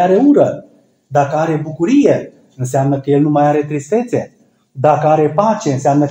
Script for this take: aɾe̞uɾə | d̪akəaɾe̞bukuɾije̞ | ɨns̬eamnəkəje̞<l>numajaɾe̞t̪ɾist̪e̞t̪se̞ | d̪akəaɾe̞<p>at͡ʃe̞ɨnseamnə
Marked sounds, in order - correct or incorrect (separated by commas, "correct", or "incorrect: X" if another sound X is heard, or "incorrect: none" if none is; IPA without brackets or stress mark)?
correct, correct